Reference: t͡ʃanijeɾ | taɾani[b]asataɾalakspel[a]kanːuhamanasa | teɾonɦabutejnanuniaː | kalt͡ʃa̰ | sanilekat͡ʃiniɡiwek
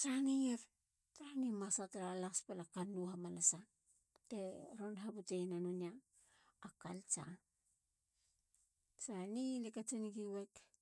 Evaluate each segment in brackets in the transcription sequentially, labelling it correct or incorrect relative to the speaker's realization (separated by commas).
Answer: incorrect, correct